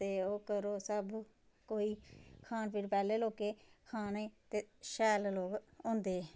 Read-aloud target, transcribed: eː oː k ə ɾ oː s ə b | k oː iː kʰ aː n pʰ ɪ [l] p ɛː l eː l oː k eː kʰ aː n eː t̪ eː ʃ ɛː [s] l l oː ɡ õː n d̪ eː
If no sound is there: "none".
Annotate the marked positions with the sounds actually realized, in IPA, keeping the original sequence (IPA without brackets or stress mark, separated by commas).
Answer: ɾ, none